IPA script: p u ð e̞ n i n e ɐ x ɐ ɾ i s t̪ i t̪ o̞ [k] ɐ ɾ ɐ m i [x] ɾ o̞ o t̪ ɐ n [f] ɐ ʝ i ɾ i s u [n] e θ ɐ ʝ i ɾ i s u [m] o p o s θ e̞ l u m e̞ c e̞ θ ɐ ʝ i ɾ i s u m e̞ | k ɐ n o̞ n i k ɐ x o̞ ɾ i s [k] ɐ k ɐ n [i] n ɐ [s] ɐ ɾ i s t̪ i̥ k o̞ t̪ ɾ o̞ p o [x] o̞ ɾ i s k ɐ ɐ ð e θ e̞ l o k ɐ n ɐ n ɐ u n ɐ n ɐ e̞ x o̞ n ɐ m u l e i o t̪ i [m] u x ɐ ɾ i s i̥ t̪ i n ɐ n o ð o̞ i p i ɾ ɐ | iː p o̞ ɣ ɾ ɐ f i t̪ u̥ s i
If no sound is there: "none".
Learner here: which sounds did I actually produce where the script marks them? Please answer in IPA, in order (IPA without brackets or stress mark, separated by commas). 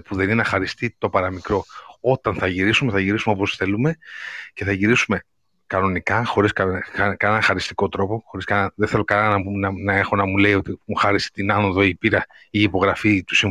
p, k, θ, m, m, k, e, x, x, m